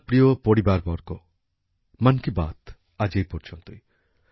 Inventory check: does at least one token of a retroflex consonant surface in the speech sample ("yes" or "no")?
yes